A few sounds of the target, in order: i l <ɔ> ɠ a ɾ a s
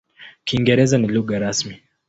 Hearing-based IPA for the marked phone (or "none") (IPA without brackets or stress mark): u